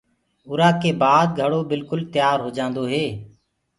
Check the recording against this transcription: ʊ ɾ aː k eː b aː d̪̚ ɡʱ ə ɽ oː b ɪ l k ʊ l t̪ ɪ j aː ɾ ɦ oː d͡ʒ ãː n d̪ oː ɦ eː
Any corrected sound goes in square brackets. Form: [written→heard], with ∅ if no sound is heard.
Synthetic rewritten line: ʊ ɾ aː k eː b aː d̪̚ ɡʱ ə ɽ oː b ɪ l k ʊ l t̪ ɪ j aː ɾ ɦ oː d͡ʒ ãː n d̪ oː ɦ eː